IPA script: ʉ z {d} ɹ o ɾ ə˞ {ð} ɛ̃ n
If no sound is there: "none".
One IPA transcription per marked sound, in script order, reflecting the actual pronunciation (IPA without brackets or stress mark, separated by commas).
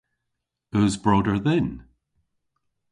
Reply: b, ð